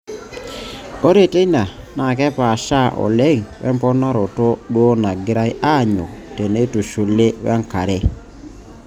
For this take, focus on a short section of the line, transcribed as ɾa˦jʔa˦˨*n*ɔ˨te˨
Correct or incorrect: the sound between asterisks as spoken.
incorrect: ɲ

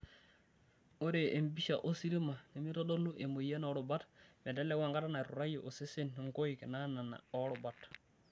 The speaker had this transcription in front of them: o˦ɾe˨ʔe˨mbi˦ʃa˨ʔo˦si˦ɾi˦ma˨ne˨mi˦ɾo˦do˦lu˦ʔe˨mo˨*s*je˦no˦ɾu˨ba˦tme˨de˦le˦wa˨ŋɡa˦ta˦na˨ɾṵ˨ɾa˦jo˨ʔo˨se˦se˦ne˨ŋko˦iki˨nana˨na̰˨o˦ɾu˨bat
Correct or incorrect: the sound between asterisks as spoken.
incorrect: none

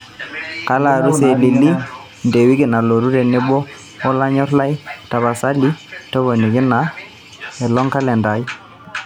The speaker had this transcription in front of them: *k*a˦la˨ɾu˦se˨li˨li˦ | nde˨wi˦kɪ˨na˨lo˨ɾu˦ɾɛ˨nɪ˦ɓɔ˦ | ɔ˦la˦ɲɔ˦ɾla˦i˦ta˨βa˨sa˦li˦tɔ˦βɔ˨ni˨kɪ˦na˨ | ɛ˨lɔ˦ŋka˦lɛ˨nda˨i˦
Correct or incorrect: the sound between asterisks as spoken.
correct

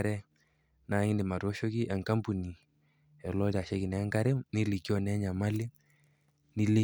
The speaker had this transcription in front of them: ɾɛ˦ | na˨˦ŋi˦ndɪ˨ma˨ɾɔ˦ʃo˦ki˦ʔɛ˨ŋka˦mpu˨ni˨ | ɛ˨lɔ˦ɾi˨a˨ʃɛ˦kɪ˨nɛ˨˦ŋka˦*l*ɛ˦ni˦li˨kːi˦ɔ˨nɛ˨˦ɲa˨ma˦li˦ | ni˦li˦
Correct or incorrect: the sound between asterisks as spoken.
incorrect: ɾ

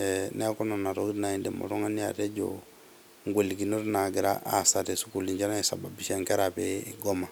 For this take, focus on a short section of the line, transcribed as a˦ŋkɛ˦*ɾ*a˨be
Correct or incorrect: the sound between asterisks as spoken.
correct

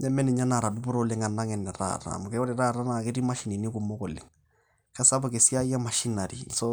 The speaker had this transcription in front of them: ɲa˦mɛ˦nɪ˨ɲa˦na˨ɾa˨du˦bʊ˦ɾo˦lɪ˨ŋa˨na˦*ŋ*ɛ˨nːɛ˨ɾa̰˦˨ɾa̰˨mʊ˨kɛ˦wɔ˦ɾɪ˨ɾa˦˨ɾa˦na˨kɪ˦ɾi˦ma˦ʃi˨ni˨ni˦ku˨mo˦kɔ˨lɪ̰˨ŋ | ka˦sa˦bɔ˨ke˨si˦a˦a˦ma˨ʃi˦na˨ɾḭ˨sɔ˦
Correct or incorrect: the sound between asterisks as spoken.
correct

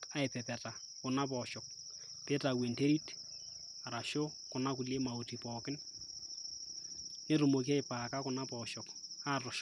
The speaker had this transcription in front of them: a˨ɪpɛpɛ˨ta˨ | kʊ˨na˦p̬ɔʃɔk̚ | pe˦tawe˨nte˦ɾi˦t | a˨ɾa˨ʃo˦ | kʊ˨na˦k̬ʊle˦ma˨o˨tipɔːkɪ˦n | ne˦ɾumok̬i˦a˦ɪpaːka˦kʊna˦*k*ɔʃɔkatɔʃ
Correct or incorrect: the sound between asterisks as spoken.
incorrect: p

